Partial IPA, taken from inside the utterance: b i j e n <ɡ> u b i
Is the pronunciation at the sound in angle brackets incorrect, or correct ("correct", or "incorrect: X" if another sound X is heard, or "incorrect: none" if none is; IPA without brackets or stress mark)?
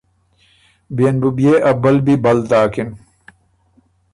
incorrect: b